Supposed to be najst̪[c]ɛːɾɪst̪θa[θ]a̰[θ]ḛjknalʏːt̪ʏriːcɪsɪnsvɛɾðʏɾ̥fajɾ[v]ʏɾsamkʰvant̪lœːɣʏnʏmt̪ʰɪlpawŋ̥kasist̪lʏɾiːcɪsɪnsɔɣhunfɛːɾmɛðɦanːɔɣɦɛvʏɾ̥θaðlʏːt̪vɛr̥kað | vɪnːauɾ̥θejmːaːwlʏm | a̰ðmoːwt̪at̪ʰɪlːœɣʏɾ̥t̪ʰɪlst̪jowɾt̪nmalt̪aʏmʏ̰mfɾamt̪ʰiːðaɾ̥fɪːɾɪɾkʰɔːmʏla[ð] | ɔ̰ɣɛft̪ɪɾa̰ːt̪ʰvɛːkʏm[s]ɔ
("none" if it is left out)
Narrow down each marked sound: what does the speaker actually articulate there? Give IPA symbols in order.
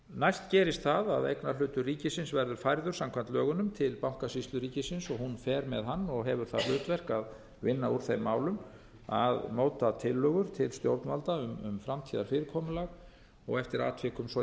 c, ð, ð, ð, ɣ, s

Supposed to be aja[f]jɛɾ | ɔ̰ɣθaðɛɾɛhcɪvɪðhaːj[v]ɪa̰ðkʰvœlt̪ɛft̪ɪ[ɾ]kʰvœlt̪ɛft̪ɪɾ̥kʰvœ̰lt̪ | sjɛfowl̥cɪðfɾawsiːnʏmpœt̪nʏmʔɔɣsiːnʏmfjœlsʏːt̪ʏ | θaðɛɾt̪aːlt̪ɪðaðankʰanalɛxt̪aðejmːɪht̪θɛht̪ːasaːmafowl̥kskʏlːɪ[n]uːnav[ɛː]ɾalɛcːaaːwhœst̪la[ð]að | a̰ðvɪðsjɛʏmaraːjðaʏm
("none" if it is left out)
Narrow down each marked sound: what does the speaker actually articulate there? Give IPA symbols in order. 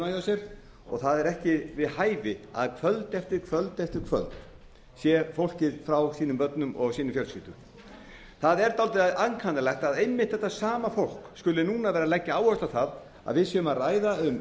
s, v, ɾ, n, ɛː, θ

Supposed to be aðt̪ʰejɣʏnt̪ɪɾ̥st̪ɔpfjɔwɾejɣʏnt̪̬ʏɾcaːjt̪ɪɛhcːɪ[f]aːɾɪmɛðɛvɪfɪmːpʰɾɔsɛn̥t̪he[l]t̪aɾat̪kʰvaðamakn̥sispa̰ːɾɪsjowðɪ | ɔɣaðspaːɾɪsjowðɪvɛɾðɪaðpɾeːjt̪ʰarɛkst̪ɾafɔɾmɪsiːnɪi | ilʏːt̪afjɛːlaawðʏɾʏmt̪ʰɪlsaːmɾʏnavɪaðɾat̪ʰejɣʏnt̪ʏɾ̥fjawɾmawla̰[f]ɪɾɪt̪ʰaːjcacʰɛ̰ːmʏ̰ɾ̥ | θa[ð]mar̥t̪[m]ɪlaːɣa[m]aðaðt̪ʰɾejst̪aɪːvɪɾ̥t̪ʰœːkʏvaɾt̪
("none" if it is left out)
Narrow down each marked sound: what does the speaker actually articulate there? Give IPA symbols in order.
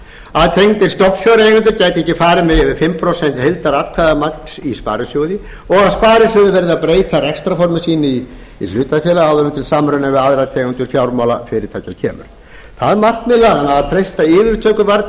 f, l, f, ð, m, n

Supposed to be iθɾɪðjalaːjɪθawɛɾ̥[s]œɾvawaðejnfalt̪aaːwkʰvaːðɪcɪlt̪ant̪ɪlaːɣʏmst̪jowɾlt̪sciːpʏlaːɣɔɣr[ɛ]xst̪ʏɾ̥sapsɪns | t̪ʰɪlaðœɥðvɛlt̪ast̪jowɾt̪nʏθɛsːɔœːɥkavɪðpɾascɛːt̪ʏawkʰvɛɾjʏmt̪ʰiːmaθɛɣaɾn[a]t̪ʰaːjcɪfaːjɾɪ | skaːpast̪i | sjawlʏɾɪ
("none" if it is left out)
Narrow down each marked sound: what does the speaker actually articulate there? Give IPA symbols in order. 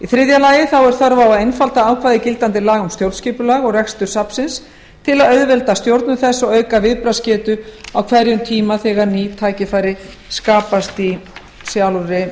θ, ɛ, i

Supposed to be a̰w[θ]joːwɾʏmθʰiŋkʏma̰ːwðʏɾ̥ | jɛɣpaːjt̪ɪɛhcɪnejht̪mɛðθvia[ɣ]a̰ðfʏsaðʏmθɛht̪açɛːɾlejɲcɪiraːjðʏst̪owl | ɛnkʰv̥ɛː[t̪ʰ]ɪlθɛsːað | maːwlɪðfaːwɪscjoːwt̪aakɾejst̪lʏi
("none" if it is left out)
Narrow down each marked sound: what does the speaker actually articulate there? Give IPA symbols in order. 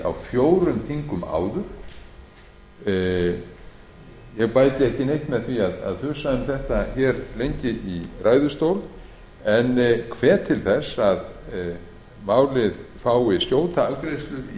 f, ð, t̪ʰ

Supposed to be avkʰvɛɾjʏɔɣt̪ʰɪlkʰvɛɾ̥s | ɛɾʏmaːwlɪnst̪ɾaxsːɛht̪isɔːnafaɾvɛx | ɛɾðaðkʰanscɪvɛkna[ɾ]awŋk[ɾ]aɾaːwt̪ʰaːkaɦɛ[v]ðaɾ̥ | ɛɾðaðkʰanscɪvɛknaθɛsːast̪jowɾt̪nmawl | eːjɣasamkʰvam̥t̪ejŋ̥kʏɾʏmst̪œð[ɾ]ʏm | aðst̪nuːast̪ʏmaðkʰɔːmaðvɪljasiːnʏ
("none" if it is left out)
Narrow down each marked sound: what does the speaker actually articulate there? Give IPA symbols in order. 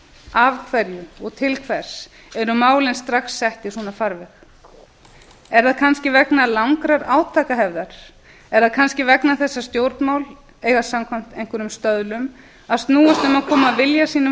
l, ɾ, v, l

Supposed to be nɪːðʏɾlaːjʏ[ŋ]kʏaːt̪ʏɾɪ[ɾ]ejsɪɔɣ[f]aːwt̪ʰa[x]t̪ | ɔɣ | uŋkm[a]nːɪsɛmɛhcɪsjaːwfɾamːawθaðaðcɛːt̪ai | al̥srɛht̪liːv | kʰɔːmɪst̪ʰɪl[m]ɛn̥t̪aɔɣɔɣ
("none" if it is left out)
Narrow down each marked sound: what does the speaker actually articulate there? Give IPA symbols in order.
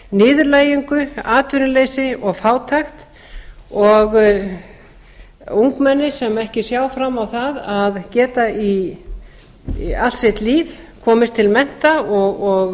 ŋ, l, f, x, ɛ, m

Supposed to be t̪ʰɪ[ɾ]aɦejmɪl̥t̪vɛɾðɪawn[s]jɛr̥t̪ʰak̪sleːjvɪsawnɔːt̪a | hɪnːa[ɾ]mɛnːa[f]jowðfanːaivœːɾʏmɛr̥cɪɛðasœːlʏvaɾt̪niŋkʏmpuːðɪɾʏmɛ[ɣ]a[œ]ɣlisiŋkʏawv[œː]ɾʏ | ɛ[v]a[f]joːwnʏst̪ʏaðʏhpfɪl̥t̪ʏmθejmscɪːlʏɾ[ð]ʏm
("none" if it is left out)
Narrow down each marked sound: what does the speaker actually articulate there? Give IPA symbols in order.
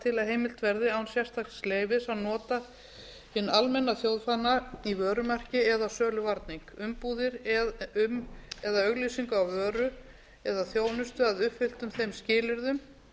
l, s, l, θ, ð, œ, œː, ð, θ, ð

